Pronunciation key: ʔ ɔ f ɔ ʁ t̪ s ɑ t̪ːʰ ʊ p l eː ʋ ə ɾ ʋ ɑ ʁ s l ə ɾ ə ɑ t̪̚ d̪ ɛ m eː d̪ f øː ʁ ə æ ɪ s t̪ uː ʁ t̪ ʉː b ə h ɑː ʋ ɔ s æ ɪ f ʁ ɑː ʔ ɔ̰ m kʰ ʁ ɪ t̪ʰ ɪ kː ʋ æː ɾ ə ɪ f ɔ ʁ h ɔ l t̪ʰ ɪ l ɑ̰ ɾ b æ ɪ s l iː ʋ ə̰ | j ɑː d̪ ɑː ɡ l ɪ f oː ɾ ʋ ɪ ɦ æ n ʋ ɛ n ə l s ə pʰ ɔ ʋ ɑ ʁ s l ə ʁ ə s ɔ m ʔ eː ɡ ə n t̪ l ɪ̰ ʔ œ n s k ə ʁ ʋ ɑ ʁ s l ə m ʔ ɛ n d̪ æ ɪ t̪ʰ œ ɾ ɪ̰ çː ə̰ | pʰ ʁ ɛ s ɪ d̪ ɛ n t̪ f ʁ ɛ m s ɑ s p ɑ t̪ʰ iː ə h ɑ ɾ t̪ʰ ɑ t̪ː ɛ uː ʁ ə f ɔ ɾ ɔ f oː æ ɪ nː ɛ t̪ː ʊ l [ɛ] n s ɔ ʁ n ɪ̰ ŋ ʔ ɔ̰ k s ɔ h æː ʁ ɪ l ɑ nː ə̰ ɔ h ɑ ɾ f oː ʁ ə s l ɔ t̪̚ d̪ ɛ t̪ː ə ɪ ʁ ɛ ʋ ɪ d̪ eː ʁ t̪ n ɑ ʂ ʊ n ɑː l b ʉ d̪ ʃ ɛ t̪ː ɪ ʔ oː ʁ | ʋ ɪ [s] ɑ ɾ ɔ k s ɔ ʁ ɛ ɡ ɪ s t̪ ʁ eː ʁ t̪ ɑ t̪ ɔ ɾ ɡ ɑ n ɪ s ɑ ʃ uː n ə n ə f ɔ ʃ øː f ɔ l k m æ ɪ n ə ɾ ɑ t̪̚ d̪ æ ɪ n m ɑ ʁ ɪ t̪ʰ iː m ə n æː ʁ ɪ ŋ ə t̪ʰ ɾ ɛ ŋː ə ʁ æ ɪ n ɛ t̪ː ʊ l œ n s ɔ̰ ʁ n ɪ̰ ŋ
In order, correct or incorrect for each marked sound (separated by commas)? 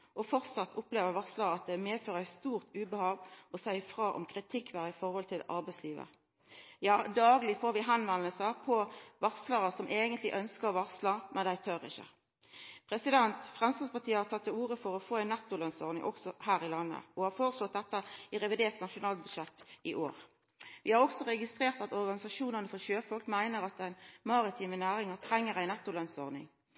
incorrect, incorrect